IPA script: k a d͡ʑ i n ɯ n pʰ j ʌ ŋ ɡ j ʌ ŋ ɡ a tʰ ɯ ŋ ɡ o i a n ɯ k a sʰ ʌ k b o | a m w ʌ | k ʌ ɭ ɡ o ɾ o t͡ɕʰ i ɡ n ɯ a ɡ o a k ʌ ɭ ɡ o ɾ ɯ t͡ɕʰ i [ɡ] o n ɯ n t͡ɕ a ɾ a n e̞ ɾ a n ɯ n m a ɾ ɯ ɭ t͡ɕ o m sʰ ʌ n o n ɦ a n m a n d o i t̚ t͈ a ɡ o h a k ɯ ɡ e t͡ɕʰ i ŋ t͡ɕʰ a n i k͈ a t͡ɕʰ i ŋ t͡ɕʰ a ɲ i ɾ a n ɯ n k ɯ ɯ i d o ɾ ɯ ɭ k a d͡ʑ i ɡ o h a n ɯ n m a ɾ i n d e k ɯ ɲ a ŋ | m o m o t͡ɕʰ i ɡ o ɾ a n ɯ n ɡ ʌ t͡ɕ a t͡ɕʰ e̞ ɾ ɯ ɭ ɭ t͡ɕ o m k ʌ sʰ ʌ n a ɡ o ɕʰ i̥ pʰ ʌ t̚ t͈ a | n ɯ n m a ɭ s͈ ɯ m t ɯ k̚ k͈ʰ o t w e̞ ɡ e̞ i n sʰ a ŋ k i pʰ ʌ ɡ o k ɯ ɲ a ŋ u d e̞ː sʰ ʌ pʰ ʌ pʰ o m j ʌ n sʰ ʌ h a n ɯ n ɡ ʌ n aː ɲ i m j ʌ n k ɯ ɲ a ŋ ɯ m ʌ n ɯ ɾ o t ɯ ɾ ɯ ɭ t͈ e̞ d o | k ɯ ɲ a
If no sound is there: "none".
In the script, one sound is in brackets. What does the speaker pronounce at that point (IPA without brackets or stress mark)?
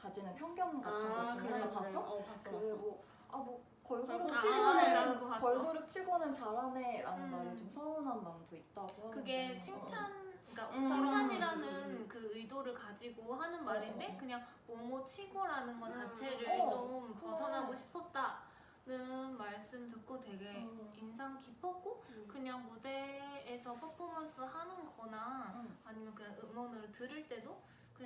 ɡ